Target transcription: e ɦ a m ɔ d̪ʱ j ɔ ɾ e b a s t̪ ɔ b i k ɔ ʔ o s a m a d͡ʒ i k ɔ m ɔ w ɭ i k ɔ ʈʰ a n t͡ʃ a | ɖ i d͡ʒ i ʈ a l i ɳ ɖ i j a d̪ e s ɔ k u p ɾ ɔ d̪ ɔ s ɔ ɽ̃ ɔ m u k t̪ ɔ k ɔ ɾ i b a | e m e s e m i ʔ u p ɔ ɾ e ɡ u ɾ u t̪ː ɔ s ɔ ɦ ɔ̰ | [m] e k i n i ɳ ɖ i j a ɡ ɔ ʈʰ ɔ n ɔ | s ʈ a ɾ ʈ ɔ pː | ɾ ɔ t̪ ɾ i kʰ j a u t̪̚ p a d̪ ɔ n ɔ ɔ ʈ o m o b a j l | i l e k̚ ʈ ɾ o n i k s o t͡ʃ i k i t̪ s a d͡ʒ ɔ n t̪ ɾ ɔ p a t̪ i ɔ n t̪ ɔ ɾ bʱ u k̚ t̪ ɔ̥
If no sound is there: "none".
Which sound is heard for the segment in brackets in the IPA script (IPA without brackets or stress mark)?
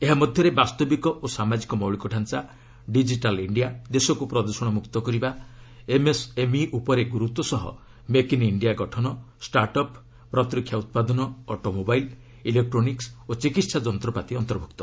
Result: m